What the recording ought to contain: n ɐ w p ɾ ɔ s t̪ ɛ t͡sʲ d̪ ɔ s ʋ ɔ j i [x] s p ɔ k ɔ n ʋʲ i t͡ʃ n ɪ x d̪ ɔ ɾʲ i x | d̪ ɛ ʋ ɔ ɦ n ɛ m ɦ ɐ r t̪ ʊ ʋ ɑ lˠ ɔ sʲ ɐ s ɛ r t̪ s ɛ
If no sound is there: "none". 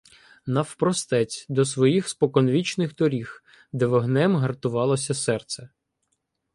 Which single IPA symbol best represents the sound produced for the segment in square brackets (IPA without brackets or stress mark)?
x